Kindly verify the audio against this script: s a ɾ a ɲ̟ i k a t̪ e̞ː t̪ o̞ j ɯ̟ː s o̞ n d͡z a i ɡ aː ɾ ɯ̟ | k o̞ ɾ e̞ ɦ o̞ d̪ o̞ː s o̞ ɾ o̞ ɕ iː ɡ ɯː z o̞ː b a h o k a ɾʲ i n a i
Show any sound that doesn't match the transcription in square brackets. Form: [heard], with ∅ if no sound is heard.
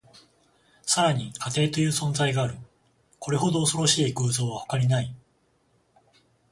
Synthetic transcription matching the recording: s a ɾ a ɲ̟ i k a t̪ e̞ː t̪ o̞ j ɯ̟ː s [õ̞] n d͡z a i ɡ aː ɾ ɯ̟ | k o̞ ɾ e̞ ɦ o̞ d̪ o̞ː s o̞ ɾ o̞ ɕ iː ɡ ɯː z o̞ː [β] a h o k a ɾʲ i n a i

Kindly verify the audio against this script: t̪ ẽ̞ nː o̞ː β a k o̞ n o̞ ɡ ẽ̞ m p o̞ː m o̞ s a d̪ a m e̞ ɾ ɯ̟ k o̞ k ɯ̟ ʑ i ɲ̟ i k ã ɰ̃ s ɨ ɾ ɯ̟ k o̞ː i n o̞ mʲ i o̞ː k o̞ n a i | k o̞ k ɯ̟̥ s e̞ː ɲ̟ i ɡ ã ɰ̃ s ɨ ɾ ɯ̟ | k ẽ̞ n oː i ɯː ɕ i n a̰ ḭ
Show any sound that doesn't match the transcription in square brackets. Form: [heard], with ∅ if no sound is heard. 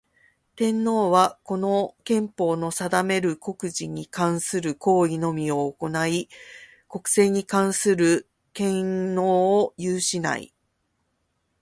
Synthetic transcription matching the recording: t̪ ẽ̞ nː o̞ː β a k o̞ n o̞ [k] ẽ̞ m p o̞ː [n] o̞ s a d̪ a m e̞ ɾ ɯ̟ k o̞ k ɯ̟ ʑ i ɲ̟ i k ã ɰ̃ s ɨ ɾ ɯ̟ k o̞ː i n o̞ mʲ i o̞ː k o̞ n a i | k o̞ k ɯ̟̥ s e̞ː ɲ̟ i [k] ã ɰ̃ s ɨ ɾ ɯ̟ | k ẽ̞ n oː [j] ɯː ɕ i n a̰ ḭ

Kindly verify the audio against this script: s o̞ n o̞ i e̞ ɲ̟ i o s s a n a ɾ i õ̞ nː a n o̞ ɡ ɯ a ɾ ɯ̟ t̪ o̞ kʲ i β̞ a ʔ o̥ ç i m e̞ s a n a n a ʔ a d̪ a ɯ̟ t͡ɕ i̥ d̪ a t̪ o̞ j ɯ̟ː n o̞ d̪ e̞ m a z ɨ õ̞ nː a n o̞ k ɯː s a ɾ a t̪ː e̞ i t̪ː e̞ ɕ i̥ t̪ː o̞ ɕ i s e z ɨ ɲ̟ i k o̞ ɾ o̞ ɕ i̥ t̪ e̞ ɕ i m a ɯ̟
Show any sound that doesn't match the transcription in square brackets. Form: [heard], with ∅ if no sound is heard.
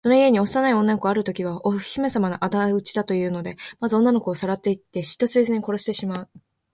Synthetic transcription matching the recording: s o̞ n o̞ i e̞ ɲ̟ i o s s a n a [∅] i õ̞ nː a n o̞ [k] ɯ a ɾ ɯ̟ t̪ o̞ kʲ i β̞ a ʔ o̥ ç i m e̞ s a [m] a n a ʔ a d̪ a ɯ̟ t͡ɕ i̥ d̪ a t̪ o̞ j ɯ̟ː n o̞ d̪ e̞ m a z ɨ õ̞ nː a n o̞ k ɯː s a ɾ a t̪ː e̞ i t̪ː e̞ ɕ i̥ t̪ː o̞ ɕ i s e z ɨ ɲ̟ i k o̞ ɾ o̞ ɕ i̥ t̪ e̞ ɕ i m a ɯ̟

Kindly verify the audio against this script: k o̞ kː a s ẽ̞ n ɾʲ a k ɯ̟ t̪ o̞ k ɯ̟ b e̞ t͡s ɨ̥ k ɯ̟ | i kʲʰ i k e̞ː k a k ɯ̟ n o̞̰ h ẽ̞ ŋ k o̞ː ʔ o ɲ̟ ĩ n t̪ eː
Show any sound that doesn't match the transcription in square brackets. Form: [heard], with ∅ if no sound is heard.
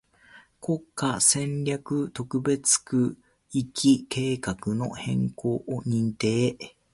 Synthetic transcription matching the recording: k o̞ kː a s ẽ̞ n ɾʲ a k ɯ̟ t̪ o̞ k ɯ̟ b e̞ t͡s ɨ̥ k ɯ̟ | i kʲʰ i k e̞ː k a k ɯ̟ n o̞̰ h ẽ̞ ŋ k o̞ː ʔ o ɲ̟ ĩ n t̪ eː

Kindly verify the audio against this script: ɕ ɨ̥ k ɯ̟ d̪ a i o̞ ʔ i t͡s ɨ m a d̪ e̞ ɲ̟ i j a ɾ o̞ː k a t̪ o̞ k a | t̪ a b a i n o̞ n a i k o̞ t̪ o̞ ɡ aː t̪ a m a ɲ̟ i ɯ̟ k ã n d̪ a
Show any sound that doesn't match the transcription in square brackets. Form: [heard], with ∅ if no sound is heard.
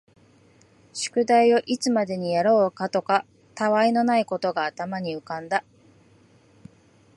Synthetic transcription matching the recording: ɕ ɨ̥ k ɯ̟ d̪ a i o̞ ʔ i t͡s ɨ m a d̪ e̞ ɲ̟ i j a ɾ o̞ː k a t̪ o̞ k a | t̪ a [β] a i n o̞ n a i k o̞ t̪ o̞ ɡ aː t̪ a m a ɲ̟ i ɯ̟ k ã n d̪ a

